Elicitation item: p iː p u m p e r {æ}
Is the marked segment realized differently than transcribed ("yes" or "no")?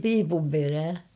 yes